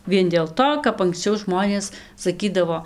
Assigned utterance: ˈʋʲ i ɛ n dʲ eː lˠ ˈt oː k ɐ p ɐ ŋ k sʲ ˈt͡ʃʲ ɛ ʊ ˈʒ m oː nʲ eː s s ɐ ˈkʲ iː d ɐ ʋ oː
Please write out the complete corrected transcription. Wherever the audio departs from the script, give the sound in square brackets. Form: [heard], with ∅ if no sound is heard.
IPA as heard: ˈʋʲ i ɛ n dʲ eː lˠ ˈt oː k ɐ p ɐ ŋ k sʲ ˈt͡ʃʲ ɛ ʊ ˈʒ m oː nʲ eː s s ɐ ˈkʲ iː d ɐ ʋ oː